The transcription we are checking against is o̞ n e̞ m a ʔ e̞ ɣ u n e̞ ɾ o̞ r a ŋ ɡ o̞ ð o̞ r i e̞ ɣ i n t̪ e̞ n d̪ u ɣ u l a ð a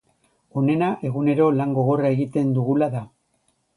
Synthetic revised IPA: o̞ n e̞ n a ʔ e̞ ɣ u n e̞ ɾ o̞ l a ŋ ɡ o̞ ɣ o̞ r a e̞ ɣ i t̪ e̞ n d̪ u ɣ u l a ð a